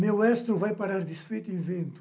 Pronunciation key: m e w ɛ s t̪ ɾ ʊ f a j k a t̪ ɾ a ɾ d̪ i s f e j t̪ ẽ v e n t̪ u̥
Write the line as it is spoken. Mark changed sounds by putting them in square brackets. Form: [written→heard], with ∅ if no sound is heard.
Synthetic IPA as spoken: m e w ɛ s t̪ ɾ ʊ [f→v] a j [k→p] a [t̪→∅] ɾ a ɾ d̪ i s f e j t̪ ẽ v [e→ẽ] n t̪ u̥